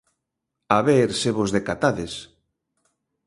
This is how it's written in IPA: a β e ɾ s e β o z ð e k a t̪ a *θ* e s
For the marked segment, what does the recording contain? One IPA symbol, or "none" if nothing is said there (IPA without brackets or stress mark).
ð